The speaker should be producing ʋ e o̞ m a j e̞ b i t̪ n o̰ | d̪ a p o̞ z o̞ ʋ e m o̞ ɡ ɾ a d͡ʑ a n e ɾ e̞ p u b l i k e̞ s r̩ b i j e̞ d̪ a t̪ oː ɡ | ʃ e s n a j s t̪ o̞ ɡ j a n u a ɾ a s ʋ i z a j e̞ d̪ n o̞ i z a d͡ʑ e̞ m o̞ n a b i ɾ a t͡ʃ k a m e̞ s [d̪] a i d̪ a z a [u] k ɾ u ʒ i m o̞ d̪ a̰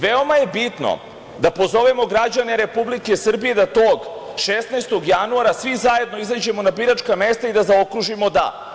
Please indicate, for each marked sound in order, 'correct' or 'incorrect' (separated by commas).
incorrect, incorrect